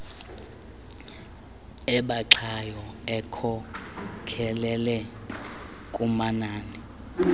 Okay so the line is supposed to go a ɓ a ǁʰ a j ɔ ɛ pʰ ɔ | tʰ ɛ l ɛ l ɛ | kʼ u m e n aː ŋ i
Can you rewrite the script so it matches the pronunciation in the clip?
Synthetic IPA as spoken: ɛ ɓ a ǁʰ a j ɔ ɛ kʰ ɔ | kʰ ɛ l ɛ l ɛ | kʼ u m a n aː n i